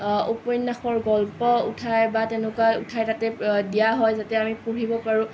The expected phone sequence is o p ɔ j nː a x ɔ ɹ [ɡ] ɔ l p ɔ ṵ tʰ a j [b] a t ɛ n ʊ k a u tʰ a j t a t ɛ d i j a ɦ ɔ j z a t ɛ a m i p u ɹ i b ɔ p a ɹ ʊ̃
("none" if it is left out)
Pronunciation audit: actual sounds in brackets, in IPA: ɡ, b

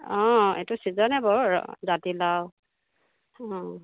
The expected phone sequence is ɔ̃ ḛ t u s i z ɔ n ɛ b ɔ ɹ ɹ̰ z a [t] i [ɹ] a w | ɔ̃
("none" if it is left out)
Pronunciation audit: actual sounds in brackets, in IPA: t, l

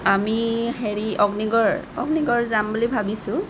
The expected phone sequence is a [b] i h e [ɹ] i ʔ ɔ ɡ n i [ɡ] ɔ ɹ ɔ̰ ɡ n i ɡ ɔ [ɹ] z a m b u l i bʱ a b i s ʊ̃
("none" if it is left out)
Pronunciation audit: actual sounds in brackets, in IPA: m, ɹ, ɡ, ɹ

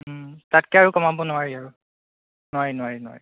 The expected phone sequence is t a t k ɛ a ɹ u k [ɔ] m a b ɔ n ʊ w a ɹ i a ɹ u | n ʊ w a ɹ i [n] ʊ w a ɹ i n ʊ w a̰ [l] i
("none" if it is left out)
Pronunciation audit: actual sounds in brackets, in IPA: ɔ, n, ɹ

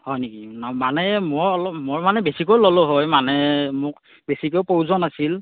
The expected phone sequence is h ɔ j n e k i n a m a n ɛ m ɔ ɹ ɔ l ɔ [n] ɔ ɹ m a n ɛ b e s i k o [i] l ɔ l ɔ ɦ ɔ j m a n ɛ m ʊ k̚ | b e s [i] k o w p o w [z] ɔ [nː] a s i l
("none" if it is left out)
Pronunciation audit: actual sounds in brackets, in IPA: m, j, i, z, n

